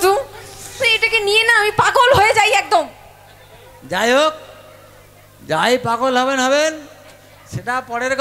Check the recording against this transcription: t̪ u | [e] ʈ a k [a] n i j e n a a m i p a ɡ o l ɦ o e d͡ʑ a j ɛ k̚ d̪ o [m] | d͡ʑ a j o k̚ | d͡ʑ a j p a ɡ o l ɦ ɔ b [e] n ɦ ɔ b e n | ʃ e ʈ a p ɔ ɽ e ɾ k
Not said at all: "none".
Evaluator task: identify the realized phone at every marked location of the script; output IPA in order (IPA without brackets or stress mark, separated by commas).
e, e, m, e